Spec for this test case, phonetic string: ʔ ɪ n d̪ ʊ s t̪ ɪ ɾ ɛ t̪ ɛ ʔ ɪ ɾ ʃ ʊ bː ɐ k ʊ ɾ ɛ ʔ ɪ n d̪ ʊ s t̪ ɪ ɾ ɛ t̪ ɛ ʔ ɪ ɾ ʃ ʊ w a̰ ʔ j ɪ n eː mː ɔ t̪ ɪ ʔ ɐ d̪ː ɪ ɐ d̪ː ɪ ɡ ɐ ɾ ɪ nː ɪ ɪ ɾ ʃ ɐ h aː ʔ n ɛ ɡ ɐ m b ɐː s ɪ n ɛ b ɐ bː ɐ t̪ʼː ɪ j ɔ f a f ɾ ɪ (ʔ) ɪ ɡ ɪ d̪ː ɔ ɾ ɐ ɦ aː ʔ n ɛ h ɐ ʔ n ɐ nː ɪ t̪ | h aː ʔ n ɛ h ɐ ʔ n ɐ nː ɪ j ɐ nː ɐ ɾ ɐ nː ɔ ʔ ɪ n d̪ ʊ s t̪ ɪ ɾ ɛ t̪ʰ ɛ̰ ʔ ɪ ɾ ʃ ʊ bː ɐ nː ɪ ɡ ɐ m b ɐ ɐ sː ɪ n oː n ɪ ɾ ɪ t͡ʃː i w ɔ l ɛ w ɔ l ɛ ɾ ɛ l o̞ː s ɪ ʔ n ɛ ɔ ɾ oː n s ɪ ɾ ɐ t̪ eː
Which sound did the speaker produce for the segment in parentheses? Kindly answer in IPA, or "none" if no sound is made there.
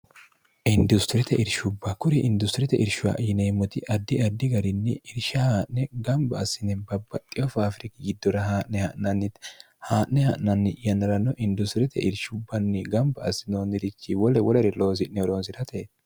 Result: k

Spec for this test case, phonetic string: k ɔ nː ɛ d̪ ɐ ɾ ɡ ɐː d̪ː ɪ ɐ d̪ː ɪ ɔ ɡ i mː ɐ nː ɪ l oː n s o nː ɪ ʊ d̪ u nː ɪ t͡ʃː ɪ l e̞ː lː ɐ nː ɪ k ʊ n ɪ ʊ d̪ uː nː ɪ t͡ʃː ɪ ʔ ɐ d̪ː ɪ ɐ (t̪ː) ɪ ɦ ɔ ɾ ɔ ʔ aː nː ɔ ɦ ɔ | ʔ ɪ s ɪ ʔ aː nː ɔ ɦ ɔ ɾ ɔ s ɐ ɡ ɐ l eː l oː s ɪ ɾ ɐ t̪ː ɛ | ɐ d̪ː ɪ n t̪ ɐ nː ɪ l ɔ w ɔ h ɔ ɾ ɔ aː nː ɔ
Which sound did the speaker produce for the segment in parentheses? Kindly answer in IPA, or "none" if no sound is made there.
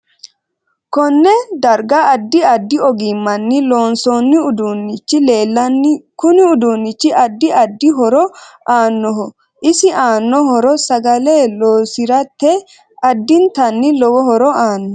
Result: d̪ː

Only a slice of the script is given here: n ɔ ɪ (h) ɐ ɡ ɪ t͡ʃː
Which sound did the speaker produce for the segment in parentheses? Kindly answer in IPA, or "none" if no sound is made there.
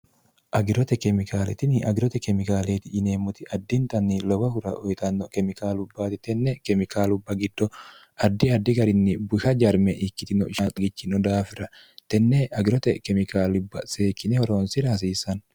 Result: ʃ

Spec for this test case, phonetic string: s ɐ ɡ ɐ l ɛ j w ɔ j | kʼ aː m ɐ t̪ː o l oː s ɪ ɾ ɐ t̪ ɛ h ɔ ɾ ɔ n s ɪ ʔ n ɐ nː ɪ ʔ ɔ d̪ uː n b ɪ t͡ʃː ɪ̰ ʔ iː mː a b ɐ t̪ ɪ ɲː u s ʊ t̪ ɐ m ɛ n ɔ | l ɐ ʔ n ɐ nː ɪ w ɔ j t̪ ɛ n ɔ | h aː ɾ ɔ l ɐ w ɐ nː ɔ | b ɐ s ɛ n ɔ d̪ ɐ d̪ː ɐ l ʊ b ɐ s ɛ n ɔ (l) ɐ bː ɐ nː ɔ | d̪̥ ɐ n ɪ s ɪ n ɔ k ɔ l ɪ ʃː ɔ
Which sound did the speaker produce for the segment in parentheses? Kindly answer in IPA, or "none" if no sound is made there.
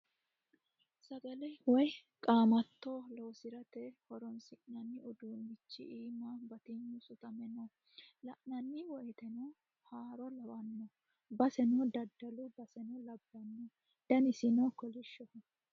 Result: l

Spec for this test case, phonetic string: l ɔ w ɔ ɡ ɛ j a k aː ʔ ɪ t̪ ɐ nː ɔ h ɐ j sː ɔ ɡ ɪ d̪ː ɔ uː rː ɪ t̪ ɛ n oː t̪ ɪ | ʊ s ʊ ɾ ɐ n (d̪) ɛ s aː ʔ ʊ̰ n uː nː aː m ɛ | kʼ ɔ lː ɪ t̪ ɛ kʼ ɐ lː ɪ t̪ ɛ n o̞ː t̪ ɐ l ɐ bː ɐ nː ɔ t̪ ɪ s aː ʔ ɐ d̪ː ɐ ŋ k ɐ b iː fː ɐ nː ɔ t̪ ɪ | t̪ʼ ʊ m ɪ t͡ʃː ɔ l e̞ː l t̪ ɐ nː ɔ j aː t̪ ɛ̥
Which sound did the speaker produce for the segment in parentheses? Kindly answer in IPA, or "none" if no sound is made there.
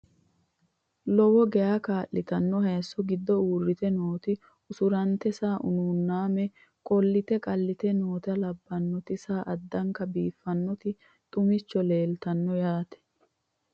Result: t̪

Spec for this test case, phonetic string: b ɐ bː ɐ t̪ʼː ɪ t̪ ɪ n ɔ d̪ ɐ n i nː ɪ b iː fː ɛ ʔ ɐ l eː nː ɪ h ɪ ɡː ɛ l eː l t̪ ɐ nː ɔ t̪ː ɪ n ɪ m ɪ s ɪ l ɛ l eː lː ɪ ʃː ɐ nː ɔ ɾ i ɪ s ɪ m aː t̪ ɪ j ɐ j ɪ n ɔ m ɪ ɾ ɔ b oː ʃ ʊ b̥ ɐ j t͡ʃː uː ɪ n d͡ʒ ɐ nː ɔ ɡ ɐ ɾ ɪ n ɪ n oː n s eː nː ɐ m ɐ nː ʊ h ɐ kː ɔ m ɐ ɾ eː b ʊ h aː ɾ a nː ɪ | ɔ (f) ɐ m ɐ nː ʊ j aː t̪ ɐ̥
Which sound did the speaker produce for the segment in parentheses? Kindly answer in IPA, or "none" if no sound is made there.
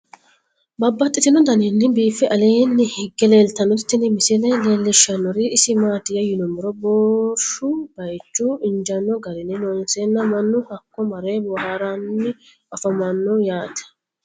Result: f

